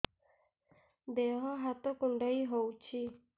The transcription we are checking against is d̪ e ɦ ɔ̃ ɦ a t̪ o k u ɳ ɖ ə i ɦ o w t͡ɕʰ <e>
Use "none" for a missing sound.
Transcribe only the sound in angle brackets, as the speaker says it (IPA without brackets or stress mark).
i